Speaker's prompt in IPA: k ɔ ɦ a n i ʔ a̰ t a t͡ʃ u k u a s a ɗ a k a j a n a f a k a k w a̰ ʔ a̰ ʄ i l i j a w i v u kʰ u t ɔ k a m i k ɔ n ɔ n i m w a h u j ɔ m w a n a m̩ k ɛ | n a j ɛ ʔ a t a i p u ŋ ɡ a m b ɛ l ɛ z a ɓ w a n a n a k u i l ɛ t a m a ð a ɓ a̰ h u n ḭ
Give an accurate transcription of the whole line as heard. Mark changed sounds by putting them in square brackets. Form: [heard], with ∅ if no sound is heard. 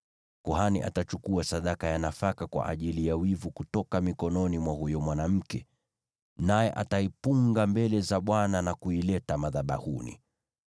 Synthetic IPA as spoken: k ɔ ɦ a n i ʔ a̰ t a t͡ʃ u k u a s a ɗ a k a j a n a f a k a k w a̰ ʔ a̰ ʄ i l i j a w i v u [k] u t ɔ k a m i k ɔ n ɔ n i m w a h u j ɔ m w a n a m̩ k ɛ | n a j ɛ ʔ a t a i p u ŋ ɡ a m b ɛ l ɛ z a ɓ w a n a n a k u i l ɛ t a m a ð a ɓ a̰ h u n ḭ

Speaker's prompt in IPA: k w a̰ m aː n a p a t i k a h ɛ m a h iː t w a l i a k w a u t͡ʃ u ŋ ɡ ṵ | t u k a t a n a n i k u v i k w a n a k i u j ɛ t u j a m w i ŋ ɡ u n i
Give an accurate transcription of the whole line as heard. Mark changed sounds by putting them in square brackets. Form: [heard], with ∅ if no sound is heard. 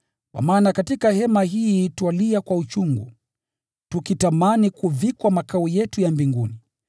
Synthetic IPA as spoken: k w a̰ m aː n a [k] a t i k a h ɛ m a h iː t w a l i a k w a u t͡ʃ u ŋ ɡ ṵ | t u k [i] t a [m] a n i k u v i k w a [m] a k [a] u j ɛ t u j a m [b] i ŋ ɡ u n i

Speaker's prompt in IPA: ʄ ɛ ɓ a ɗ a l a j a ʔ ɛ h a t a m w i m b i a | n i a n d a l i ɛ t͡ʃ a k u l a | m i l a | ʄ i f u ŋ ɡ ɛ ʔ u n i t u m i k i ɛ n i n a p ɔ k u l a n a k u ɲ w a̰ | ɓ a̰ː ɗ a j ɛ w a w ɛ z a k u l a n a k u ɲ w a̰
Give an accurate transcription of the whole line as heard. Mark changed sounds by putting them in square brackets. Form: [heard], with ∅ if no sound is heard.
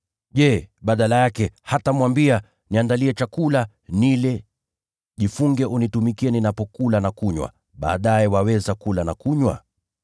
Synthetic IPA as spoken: ʄ ɛ ɓ a ɗ a l a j a [k] ɛ h a t a m w [a] m b i a | n i a n d a l i ɛ t͡ʃ a k u l a | [n] i l [ɛ] | ʄ i f u ŋ ɡ ɛ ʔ u n i t u m i k i ɛ n i n a p ɔ k u l a n a k u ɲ w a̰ | ɓ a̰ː ɗ a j ɛ w a w ɛ z a k u l a n a k u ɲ w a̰

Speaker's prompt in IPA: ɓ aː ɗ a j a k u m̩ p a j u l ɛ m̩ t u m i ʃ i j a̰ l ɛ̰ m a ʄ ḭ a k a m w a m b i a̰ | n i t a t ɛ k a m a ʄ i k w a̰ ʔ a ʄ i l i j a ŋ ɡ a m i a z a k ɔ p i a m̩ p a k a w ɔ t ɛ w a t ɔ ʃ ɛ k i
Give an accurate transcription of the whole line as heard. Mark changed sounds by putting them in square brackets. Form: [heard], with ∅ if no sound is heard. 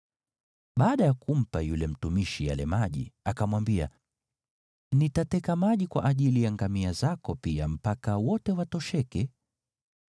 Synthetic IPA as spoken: ɓ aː ɗ a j a k u m̩ p a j u l ɛ m̩ t u m i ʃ i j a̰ l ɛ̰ m a ʄ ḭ a k a m w a m b i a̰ | n i t a t ɛ k a m a ʄ i k w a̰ ʔ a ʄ i l i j a ŋ ɡ a m i a z a k ɔ p i a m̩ p a k a w ɔ t ɛ w a t ɔ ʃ ɛ k [ɛ]

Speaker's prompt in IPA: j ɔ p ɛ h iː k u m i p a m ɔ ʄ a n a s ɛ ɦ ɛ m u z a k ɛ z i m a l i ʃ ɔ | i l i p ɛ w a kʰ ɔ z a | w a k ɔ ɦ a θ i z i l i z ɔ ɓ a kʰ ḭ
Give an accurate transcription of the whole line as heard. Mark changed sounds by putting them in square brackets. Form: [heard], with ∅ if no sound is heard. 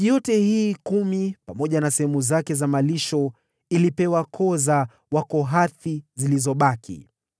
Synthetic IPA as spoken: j ɔ [t] ɛ h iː k u m i p a m ɔ ʄ a n a s ɛ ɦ ɛ m u z a k ɛ z [a] m a l i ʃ ɔ | i l i p ɛ w a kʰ ɔ z a | w a k ɔ ɦ a θ i z i l i z ɔ ɓ a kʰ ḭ

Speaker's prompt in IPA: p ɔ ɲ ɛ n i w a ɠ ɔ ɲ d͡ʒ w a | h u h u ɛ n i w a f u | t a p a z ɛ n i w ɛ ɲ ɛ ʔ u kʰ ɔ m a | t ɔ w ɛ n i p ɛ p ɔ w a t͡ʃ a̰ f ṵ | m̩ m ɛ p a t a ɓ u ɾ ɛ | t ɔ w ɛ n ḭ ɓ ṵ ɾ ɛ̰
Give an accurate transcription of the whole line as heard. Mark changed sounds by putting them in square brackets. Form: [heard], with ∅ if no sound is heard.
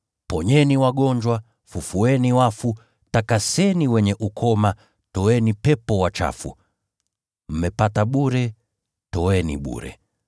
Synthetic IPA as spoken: p ɔ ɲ ɛ n i w a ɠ ɔ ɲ d͡ʒ w a | [f] u [f] u ɛ n i w a f u | t a [k] a [s] ɛ n i w ɛ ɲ ɛ ʔ u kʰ ɔ m a | t ɔ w ɛ n i p ɛ p ɔ w a t͡ʃ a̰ f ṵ | m̩ m ɛ p a t a ɓ u ɾ ɛ | t ɔ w ɛ n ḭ ɓ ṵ ɾ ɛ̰

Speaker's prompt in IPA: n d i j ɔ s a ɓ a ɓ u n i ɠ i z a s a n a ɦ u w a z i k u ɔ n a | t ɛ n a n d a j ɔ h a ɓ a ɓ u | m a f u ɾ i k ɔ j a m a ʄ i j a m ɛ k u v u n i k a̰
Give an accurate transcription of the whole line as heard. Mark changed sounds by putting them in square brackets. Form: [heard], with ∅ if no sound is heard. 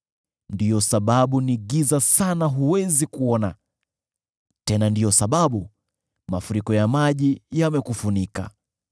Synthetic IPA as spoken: n d i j ɔ s a ɓ a ɓ u n i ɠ i z a s a n a ɦ u w [ɛ] z i k u ɔ n a | t ɛ n a n d [i] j ɔ [s] a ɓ a ɓ u | m a f u ɾ i k ɔ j a m a ʄ i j a m ɛ k u [f] u n i k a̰

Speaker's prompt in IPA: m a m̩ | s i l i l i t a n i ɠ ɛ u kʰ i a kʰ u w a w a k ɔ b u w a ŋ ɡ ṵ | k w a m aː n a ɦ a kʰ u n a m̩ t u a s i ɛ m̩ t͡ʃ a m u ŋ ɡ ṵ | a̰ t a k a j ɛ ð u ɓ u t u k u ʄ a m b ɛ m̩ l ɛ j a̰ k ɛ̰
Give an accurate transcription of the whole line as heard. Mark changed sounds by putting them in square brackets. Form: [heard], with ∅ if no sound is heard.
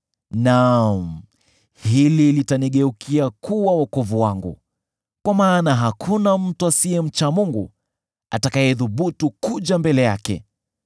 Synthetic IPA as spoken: [n] a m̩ | [h] i l i l i t a n i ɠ ɛ u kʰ i a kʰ u w a w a k ɔ [v] u w a ŋ ɡ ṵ | k w a m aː n a ɦ a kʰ u n a m̩ t u a s i ɛ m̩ t͡ʃ a m u ŋ ɡ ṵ | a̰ t a k a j ɛ ð u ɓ u t u k u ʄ a m b ɛ [∅] l ɛ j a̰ k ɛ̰

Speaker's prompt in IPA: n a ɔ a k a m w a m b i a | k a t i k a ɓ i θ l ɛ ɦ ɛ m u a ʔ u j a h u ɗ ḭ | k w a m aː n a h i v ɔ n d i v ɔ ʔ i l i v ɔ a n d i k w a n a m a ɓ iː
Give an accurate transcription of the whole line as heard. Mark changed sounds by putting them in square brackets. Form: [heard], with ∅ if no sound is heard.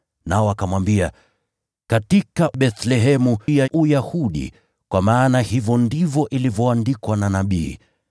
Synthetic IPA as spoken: n a ɔ a k a m w a m b i a | k a t i k a ɓ [ɛ] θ l ɛ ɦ ɛ m u a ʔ u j a h u ɗ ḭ | k w a m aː n a h i v ɔ n d i v ɔ ʔ i l i v ɔ a n d i k w a n a [n] a ɓ iː

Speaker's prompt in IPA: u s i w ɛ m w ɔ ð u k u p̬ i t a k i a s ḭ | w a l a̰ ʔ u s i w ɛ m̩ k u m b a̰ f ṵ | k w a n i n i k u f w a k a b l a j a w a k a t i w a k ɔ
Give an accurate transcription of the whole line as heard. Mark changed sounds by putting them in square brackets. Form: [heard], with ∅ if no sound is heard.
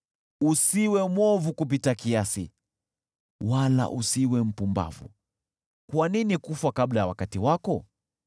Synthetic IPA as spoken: u s i w ɛ m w ɔ [v] u k u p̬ i t a k i a s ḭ | w a l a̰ ʔ u s i w ɛ m̩ [p] u m b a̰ [v] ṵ | k w a n i n i k u f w a k a b l a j a w a k a t i w a k ɔ

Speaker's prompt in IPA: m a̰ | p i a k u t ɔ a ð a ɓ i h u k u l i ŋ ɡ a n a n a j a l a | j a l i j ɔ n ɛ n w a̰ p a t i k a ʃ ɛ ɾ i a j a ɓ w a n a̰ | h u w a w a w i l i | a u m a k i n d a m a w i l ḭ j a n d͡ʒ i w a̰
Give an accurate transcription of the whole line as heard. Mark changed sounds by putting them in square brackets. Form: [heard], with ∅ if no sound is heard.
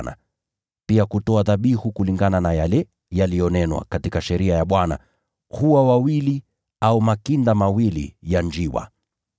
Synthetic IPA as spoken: [n] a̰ | p i a k u t ɔ a ð a ɓ i h u k u l i ŋ ɡ a n a n a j a l [ɛ] | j a l i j ɔ n ɛ n w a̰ [k] a t i k a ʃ ɛ ɾ i a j a ɓ w a n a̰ | h u w a w a w i l i | a u m a k i n d a m a w i l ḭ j a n d͡ʒ i w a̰

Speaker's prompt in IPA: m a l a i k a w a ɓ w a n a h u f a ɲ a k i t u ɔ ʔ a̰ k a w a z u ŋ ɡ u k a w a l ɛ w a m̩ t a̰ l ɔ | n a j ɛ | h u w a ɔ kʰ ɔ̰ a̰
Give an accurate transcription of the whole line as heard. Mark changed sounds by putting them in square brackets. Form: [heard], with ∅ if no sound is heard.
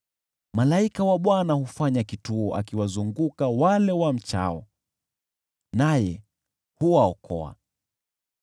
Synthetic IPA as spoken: m a l a i k a w a ɓ w a n a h u f a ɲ a k i t u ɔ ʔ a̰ k [i] w a z u ŋ ɡ u k a w a l ɛ w a m̩ [t͡ʃ] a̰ [∅] ɔ | n a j ɛ | h u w a ɔ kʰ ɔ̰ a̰

